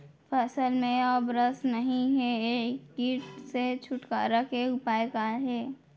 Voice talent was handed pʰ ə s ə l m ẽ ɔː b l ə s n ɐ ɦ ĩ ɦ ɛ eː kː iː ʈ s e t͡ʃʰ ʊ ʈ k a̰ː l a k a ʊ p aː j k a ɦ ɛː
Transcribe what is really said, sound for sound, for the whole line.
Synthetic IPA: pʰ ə s ə l m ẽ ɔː b ɾ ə s n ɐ ɦ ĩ ɦ ɛ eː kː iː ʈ s e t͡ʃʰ ʊ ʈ k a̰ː ɾ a k e ʊ p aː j k a ɦ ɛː